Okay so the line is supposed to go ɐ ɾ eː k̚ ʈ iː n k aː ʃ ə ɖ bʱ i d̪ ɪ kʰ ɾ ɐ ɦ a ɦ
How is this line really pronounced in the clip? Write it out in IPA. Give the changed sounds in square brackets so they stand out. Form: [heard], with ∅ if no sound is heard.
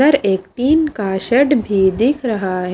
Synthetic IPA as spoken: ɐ ɾ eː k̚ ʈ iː n k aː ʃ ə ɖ bʱ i d̪ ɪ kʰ ɾ ɐ ɦ a ɦ